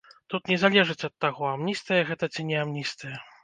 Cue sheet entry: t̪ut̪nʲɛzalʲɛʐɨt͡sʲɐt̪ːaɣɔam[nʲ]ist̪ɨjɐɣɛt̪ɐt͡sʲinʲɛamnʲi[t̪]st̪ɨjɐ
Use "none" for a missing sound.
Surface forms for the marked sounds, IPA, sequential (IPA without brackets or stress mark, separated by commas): nʲ, none